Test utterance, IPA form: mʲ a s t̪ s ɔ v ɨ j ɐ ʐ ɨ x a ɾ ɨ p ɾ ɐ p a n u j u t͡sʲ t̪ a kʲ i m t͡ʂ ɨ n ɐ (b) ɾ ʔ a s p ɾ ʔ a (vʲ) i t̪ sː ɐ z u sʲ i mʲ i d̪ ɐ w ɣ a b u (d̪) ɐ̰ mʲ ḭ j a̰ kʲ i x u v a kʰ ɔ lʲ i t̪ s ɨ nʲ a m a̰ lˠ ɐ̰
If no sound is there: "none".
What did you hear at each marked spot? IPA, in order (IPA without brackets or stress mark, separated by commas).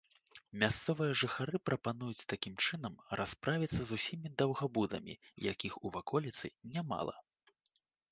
m, vʲ, d̪